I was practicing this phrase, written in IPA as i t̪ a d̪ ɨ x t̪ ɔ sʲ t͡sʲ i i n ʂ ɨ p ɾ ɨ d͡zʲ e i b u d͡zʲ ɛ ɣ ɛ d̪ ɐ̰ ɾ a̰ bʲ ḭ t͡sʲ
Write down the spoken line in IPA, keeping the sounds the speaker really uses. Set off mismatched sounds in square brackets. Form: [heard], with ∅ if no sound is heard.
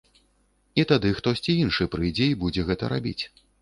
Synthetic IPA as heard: i t̪ a d̪ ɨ x t̪ ɔ sʲ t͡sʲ i i n ʂ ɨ p ɾ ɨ d͡zʲ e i b u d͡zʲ ɛ ɣ ɛ [t̪] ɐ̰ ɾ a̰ bʲ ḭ t͡sʲ